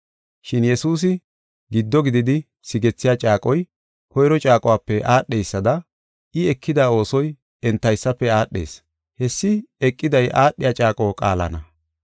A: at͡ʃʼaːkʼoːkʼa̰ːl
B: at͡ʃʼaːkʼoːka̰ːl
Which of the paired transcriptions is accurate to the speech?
A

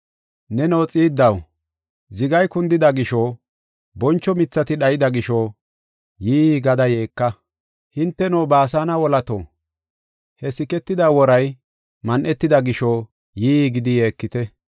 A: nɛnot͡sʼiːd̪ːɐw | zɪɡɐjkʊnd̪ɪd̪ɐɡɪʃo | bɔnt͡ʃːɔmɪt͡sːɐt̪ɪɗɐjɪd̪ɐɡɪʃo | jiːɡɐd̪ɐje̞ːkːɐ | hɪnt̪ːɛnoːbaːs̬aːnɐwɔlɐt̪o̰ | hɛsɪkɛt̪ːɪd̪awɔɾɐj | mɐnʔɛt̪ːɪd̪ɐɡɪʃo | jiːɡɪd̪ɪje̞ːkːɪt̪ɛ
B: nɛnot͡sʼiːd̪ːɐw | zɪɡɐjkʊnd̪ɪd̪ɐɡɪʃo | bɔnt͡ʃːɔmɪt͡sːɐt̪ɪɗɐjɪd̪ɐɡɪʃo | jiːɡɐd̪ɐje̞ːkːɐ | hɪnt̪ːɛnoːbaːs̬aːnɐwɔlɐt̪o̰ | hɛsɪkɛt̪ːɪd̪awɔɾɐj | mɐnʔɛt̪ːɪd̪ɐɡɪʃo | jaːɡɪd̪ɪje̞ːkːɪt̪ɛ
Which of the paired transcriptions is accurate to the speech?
A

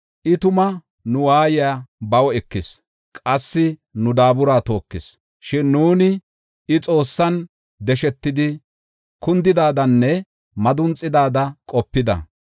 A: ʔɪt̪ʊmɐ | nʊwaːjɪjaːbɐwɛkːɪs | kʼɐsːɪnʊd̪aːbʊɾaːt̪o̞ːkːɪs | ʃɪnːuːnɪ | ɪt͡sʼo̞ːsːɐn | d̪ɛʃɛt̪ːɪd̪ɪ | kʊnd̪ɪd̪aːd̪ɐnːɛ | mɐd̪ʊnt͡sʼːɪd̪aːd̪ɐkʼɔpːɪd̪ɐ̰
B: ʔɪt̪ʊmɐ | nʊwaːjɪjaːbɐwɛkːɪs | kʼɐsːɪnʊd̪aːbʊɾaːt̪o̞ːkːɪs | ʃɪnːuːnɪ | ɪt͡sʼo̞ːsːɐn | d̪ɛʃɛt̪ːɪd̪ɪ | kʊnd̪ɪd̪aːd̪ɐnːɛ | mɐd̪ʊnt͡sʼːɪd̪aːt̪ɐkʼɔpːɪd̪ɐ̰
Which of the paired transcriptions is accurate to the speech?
A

